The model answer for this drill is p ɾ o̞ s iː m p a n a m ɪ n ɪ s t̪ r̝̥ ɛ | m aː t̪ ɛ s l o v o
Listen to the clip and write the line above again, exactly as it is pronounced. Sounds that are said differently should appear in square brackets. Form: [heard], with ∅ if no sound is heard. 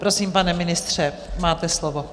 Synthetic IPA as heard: p ɾ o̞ s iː m p a n [ɛ] m ɪ n ɪ s t̪ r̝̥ ɛ | m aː t̪ ɛ s l o v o